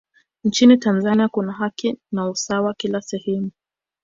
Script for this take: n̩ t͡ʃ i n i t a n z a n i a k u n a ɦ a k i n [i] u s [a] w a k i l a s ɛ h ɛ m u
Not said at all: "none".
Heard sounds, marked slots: a, a

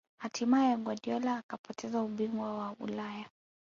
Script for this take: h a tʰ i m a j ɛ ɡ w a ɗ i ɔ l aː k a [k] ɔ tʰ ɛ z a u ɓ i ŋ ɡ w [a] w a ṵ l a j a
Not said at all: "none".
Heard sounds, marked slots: p, a

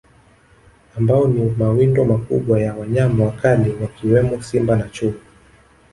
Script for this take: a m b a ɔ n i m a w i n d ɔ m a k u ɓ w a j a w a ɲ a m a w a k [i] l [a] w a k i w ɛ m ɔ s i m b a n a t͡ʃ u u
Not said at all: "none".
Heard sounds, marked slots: a, i

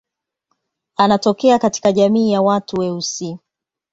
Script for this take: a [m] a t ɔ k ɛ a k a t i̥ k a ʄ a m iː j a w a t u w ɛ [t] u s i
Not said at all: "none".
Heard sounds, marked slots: n, none

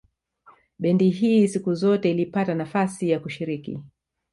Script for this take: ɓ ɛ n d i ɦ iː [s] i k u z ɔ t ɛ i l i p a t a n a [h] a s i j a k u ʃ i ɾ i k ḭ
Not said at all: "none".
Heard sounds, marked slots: s, f

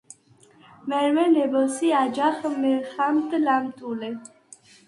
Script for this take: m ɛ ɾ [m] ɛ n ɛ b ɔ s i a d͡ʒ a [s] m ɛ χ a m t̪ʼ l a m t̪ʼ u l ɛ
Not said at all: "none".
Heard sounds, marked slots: m, χ

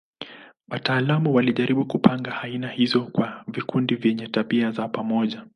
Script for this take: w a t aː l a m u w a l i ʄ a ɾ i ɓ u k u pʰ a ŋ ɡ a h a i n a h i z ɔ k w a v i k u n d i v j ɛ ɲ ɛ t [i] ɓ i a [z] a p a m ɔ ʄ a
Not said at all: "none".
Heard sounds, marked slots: a, z

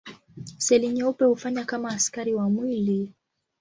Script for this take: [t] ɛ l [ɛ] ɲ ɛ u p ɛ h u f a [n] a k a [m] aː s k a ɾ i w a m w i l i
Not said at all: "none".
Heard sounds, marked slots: s, i, ɲ, m

